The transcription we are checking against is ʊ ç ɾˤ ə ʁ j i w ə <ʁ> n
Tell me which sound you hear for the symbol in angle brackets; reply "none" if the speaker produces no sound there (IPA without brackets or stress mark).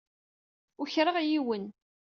none